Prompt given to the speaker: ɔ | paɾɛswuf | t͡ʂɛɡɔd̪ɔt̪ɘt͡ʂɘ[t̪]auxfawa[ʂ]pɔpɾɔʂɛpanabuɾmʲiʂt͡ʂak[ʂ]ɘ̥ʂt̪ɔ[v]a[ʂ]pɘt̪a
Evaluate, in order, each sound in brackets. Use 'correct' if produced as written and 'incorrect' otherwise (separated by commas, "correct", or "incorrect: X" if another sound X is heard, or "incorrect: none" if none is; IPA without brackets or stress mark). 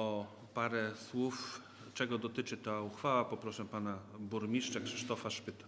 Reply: correct, incorrect: none, correct, incorrect: f, correct